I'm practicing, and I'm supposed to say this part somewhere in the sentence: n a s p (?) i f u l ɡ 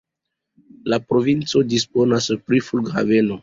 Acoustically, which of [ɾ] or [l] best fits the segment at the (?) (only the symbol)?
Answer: ɾ